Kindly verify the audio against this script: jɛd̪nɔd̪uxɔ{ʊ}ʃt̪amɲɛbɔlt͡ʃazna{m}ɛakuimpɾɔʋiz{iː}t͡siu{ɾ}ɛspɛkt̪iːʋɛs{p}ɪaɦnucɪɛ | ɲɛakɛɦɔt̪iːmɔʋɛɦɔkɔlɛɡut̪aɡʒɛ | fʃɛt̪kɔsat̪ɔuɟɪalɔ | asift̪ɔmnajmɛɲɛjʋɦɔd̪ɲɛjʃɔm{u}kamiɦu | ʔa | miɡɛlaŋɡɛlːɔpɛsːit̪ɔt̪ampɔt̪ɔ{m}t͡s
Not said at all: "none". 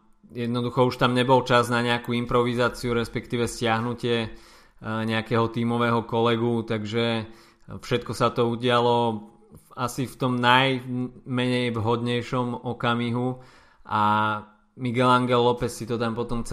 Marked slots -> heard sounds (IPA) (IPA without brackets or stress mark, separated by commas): u, ɲ, aː, ɾ, c, ɔ, m